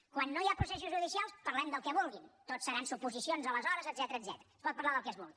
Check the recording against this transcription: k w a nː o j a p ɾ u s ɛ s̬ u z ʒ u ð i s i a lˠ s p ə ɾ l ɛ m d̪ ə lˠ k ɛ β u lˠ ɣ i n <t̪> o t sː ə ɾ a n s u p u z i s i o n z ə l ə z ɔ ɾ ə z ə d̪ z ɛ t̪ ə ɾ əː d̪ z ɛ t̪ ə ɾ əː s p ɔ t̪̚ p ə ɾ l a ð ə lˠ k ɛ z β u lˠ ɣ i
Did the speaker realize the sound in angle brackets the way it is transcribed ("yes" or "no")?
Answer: yes